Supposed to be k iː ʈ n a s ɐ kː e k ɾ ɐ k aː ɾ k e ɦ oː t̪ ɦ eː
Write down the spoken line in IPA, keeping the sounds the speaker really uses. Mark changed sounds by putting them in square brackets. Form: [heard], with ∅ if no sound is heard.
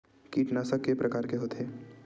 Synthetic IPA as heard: k iː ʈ n a s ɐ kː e [p] ɾ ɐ k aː ɾ k e ɦ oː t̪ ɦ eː